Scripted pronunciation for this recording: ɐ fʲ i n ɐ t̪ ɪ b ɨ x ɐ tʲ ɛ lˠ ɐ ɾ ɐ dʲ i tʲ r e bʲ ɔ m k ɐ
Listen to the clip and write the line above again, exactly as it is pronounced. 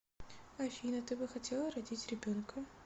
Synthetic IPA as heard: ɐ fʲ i n ɐ t̪ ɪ b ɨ x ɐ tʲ ɛ lˠ ɐ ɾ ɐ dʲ i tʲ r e bʲ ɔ n k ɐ